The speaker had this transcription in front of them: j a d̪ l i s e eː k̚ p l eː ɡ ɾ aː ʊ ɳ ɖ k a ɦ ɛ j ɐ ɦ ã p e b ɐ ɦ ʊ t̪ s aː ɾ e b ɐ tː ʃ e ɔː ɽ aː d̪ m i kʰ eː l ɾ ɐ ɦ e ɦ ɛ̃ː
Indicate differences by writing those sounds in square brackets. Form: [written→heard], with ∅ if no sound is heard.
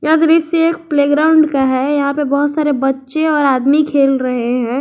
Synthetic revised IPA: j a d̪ [l→ɾ] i s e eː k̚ p l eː ɡ ɾ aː ʊ ɳ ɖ k a ɦ ɛ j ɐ ɦ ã p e b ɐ ɦ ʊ t̪ s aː ɾ e b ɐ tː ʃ e ɔː [ɽ→ɾ] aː d̪ m i kʰ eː l ɾ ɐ ɦ e ɦ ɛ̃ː